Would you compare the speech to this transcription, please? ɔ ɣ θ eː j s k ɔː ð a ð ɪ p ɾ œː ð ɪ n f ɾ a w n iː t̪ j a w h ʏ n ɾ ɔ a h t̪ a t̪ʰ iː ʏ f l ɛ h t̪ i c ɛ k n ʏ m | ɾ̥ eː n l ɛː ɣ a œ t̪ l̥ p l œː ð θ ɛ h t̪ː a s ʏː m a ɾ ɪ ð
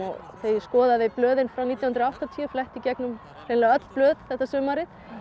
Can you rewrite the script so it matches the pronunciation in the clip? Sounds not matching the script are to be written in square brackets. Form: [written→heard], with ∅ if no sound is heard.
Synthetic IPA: ɔ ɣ θ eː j s k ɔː ð a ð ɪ p [ɾ→l] œː ð ɪ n f ɾ a w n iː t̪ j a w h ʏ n ɾ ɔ a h t̪ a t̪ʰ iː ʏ f l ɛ h t̪ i c ɛ k n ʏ m | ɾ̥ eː n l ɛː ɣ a œ t̪ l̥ p l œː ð θ ɛ h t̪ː a s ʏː m a ɾ ɪ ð